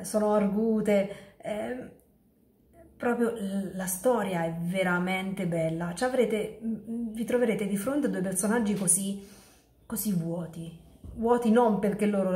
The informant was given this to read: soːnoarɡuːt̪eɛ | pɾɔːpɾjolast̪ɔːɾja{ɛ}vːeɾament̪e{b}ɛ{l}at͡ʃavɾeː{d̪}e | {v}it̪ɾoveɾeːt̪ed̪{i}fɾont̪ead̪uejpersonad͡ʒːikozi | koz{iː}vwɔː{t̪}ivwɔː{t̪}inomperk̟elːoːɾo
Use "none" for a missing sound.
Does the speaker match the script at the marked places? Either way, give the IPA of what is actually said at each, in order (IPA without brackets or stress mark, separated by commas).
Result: ɛ, b, lː, t̪, v, i, i, t̪, t̪